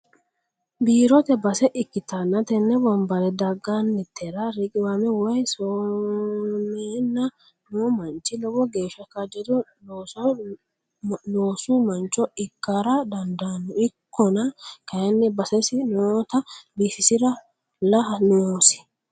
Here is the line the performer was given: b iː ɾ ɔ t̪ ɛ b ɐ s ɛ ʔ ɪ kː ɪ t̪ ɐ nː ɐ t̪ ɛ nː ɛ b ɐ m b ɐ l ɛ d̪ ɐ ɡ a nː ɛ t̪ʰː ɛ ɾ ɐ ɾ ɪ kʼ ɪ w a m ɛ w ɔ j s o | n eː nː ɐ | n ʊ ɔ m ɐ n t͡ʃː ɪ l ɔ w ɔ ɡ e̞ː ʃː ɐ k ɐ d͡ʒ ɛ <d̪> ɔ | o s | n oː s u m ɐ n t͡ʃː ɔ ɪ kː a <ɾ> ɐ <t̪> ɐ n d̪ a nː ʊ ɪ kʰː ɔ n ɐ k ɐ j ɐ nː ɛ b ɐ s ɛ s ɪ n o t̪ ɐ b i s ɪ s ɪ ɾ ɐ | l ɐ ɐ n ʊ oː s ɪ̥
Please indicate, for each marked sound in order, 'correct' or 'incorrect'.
correct, correct, incorrect: d̪

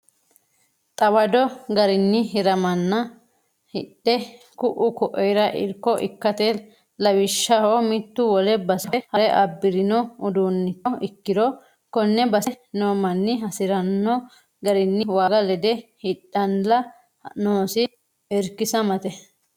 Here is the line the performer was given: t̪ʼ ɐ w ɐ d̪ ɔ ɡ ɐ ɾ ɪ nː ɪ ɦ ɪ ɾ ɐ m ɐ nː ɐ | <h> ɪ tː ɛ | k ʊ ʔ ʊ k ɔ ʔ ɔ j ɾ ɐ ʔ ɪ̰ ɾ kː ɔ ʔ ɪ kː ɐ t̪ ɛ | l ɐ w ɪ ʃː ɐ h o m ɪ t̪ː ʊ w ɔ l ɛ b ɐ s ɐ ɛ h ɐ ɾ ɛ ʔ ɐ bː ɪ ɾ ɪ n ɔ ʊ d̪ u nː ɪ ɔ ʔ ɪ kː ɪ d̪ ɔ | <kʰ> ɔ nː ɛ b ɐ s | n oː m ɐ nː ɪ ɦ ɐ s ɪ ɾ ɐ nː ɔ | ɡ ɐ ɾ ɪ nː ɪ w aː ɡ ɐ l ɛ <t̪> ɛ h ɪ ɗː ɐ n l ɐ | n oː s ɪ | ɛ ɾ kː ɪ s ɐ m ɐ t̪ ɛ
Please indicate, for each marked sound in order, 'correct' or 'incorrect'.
correct, incorrect: k, incorrect: d̪

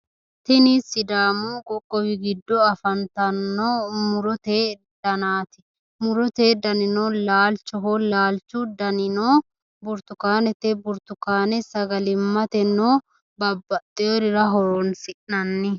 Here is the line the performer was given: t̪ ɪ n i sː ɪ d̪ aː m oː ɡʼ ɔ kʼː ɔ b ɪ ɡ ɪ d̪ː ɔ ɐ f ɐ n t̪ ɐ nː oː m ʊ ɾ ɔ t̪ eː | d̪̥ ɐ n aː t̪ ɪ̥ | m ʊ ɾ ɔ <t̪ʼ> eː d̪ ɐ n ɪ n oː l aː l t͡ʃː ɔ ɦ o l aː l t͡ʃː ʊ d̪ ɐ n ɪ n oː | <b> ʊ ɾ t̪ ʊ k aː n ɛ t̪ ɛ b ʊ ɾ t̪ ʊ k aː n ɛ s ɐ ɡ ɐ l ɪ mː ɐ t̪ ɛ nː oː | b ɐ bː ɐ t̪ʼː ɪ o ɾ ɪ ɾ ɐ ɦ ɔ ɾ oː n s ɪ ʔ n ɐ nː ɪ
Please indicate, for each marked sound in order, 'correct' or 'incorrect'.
incorrect: t̪, correct

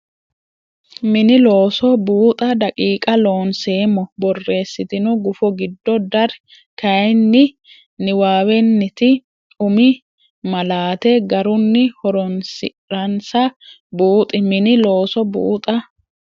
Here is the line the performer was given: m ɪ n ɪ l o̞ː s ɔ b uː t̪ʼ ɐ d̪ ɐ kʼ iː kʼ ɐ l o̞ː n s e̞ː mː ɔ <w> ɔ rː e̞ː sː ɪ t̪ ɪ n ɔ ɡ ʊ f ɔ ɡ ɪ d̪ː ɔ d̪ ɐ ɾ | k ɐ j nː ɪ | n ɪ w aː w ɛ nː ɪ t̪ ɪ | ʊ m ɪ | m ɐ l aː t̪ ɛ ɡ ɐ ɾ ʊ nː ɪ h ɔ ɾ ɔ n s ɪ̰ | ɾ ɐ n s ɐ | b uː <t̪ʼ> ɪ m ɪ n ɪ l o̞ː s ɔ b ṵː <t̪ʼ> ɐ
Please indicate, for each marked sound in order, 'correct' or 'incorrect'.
incorrect: b, correct, correct

